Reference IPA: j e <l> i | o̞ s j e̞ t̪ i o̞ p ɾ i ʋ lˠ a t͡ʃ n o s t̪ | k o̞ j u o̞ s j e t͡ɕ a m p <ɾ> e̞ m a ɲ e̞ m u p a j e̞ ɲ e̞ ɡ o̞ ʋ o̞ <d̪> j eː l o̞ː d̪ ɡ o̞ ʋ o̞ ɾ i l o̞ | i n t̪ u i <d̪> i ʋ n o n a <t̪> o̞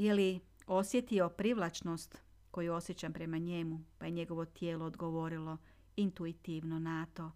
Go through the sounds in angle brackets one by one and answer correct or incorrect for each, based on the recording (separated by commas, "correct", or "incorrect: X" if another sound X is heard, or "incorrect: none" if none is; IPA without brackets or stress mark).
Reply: correct, correct, incorrect: t̪, incorrect: t̪, correct